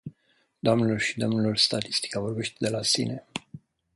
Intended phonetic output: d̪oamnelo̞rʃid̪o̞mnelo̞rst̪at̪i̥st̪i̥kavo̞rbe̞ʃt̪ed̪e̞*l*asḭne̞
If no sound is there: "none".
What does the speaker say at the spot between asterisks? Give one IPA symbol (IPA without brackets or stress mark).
l